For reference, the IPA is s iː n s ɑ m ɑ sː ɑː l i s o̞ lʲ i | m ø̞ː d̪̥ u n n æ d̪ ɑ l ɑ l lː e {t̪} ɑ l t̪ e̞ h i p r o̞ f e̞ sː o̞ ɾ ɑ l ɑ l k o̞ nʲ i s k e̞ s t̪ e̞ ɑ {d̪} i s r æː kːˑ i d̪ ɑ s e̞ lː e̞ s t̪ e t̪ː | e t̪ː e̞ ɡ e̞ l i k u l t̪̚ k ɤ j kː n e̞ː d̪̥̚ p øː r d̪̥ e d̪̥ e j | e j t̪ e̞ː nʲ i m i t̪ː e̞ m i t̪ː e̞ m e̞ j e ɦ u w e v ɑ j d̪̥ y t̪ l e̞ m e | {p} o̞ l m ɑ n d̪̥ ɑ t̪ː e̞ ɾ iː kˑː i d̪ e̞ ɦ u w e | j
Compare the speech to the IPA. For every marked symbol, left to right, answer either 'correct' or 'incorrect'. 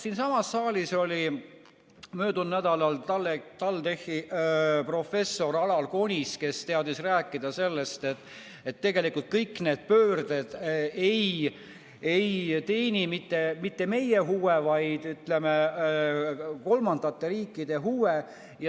correct, correct, incorrect: k

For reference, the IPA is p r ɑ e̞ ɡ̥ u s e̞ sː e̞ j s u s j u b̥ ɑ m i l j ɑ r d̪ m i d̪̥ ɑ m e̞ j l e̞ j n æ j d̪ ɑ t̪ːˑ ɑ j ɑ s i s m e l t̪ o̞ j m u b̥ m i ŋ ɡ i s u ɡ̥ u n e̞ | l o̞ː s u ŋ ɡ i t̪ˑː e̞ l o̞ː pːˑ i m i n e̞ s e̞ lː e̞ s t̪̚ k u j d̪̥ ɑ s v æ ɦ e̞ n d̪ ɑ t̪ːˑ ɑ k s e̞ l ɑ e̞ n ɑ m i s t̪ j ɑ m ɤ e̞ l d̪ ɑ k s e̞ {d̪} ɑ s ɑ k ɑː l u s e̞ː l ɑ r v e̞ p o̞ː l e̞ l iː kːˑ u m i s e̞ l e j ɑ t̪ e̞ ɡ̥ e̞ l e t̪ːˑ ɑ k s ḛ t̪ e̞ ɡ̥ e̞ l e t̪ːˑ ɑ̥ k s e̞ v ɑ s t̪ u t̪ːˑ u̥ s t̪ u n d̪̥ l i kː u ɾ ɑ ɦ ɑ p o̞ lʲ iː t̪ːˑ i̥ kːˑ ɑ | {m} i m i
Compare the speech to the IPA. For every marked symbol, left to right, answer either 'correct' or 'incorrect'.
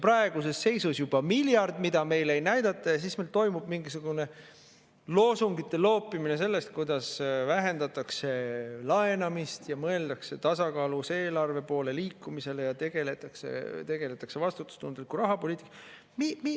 incorrect: t̪, correct

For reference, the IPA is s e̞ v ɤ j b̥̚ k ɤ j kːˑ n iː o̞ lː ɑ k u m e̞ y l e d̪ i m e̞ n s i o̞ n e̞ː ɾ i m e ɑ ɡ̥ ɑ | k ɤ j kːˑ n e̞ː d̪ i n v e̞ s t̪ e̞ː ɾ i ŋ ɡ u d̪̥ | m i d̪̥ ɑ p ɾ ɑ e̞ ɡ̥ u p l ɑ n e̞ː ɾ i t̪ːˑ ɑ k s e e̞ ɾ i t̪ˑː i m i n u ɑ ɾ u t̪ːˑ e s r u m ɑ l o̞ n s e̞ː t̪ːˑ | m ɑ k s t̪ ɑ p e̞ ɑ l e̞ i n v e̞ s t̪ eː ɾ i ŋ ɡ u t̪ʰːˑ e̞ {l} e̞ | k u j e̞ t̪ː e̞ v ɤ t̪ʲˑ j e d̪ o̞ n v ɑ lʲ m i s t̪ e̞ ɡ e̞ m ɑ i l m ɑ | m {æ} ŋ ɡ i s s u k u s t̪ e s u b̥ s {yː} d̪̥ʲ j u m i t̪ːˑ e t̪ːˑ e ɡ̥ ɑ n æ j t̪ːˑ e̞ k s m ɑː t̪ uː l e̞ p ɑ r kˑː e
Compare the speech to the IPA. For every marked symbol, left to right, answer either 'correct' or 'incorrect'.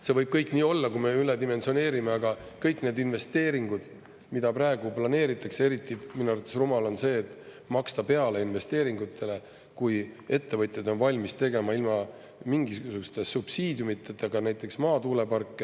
correct, incorrect: i, incorrect: iː

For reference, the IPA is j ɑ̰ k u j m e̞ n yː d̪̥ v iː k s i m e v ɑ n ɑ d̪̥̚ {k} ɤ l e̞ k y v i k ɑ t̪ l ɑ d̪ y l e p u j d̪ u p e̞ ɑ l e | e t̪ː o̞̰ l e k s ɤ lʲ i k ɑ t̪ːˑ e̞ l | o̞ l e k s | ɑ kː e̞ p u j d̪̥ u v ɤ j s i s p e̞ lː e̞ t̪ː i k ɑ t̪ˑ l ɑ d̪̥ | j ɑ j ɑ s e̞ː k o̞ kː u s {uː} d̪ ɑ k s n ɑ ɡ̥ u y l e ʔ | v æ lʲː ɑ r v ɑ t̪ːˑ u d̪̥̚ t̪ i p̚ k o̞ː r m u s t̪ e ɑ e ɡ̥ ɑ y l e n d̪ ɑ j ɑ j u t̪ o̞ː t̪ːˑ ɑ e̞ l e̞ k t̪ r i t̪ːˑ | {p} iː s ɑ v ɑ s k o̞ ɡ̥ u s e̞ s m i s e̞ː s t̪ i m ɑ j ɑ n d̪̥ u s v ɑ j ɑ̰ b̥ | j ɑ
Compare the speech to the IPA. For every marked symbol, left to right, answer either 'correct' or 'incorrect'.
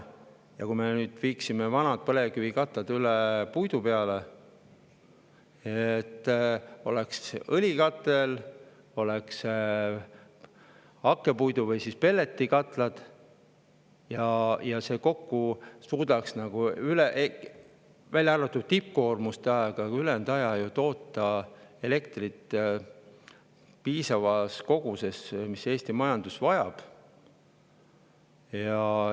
incorrect: p, correct, correct

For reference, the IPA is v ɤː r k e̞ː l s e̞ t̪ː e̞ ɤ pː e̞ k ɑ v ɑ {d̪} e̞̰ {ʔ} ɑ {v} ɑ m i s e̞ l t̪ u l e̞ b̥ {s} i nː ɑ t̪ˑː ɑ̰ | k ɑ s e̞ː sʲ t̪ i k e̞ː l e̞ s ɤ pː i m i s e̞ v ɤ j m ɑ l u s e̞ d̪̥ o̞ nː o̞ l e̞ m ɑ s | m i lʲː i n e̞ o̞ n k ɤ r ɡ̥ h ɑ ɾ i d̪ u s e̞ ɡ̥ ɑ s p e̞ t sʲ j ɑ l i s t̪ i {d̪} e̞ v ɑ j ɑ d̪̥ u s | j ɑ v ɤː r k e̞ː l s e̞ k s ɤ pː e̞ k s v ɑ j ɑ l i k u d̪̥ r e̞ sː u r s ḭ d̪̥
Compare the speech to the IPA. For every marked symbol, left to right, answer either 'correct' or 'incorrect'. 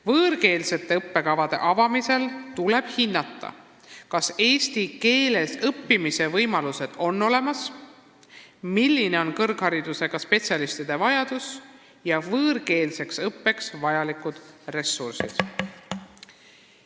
correct, correct, correct, incorrect: h, correct

